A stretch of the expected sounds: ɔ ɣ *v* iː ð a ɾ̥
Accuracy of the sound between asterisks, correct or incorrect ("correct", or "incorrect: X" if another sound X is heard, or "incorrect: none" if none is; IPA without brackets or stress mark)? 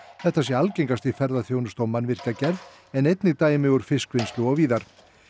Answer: correct